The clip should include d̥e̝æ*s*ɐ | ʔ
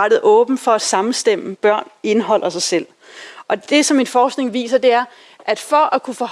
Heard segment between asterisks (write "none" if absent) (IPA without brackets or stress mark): none